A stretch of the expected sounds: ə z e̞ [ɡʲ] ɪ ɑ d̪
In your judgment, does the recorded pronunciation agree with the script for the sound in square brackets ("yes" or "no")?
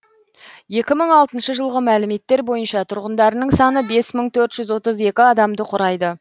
no